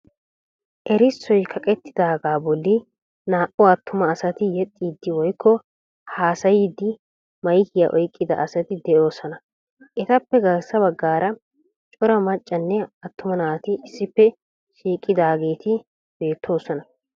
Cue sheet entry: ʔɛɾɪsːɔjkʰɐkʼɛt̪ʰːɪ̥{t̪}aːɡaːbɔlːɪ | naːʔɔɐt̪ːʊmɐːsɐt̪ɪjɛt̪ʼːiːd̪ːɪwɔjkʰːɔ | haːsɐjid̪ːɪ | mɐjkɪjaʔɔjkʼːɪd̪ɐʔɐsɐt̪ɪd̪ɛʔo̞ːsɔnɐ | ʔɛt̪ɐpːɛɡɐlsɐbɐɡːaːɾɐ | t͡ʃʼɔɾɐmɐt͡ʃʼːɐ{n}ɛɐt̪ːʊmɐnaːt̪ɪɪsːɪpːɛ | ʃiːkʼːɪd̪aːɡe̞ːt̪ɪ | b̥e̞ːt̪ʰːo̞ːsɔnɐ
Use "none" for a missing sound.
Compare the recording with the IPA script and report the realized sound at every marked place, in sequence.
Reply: d̪, nː

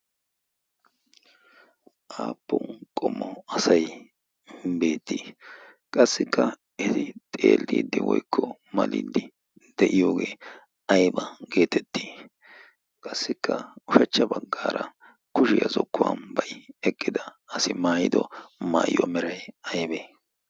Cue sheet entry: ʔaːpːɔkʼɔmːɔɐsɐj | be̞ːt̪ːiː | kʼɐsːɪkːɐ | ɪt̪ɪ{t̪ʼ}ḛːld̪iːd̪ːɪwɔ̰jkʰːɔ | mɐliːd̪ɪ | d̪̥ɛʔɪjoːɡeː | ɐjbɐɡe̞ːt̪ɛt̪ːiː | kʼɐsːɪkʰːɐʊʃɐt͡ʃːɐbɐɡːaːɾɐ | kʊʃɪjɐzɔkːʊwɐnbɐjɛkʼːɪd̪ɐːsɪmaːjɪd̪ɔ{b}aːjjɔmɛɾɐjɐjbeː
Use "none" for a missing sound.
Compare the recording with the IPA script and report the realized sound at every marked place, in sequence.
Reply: t̪ʼ, m

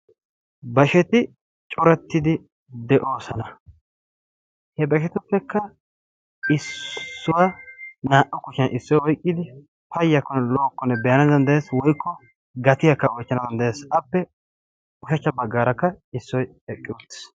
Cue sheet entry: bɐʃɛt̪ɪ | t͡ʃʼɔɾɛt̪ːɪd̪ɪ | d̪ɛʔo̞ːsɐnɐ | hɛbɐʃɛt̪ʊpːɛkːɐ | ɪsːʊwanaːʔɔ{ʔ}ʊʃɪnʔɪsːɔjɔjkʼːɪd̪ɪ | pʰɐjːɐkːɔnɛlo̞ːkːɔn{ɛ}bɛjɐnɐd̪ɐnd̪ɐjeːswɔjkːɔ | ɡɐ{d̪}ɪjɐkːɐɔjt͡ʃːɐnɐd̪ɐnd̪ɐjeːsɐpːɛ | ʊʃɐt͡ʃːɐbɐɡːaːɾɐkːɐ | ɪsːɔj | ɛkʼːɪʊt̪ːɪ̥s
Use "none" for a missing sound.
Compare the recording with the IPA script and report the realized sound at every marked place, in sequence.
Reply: k, ɛ, t̪

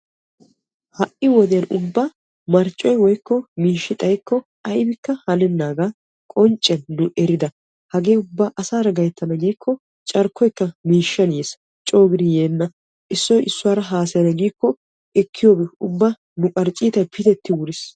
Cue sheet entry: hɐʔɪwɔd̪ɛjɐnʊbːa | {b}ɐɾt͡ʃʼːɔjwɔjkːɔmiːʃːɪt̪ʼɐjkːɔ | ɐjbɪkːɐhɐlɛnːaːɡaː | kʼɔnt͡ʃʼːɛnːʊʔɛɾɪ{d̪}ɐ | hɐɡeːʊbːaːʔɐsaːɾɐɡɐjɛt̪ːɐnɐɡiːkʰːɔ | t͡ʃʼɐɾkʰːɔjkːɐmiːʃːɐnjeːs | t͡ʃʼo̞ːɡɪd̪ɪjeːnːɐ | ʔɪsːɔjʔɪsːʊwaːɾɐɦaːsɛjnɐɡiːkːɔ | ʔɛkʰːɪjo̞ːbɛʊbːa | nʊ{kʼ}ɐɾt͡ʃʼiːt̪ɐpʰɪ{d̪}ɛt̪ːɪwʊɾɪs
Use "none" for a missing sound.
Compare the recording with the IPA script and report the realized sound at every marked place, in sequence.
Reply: m, d̪, kʼ, t̪

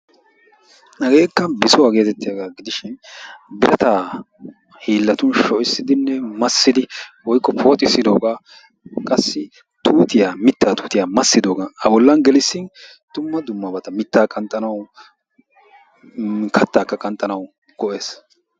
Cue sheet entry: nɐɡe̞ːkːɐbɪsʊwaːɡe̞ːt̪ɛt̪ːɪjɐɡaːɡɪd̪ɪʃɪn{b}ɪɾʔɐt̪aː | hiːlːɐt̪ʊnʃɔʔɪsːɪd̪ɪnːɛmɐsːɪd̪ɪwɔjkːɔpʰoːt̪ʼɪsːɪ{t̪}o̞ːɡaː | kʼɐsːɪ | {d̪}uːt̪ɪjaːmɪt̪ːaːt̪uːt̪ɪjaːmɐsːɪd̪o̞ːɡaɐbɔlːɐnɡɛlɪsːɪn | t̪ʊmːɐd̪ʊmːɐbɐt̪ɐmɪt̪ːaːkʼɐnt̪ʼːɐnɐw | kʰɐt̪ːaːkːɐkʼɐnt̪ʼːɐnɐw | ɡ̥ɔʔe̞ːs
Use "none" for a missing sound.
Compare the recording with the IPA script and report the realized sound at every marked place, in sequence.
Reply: b, d̪, t̪

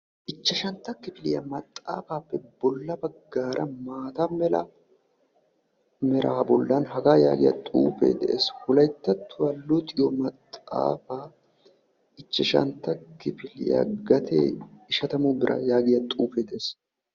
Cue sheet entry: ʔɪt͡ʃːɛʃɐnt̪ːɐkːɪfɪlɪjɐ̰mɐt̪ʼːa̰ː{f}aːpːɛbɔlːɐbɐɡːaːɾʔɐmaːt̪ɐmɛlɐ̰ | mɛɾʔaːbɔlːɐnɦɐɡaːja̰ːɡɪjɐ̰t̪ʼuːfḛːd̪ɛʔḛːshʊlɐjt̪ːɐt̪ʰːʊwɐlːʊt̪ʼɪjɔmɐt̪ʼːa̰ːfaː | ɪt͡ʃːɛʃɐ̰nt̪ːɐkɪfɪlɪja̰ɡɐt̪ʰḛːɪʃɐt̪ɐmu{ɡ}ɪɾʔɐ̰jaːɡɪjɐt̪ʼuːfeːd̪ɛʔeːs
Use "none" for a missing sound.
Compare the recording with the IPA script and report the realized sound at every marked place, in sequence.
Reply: f, b

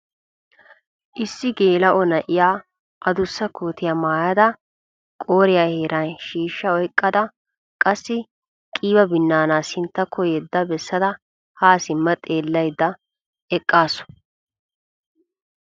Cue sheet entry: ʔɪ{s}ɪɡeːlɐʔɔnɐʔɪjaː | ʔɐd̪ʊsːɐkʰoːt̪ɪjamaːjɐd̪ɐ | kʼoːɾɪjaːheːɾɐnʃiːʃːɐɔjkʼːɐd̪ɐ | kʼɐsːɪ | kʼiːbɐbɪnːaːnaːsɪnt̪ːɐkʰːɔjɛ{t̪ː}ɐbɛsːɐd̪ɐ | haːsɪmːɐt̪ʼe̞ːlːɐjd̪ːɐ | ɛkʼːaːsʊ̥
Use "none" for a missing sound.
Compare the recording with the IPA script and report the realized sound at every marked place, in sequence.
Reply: sː, d̪ː

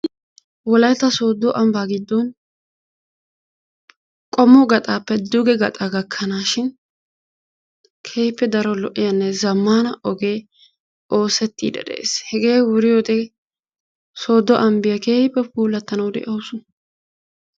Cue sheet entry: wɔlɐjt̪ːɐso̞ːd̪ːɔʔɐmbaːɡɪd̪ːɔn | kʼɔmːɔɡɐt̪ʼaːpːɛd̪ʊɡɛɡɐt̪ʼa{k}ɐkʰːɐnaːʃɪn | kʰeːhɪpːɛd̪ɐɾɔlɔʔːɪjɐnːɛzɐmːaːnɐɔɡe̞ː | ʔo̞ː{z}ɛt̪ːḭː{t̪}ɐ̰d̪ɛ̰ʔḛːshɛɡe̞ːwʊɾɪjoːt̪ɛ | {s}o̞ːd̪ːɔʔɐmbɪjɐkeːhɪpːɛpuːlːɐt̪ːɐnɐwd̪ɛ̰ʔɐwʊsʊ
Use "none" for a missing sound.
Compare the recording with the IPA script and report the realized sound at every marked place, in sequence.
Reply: ɡ, s, d̪, s

